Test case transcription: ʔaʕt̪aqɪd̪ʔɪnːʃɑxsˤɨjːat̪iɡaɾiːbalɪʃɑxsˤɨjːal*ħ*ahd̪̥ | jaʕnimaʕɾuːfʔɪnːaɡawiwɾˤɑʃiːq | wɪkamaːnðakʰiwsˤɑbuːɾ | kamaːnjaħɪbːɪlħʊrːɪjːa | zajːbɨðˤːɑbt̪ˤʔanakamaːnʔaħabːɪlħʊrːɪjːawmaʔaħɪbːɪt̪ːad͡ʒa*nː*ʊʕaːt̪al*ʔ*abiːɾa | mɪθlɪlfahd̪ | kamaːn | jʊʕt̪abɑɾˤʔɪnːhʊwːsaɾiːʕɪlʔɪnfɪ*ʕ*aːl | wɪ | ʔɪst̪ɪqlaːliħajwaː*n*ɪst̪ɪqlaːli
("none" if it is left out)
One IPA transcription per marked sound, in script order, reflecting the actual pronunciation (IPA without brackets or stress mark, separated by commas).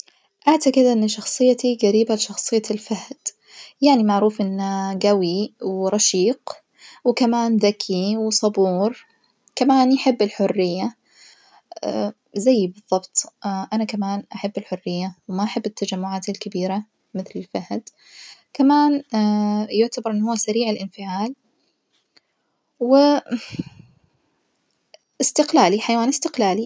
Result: f, mː, k, ʕ, n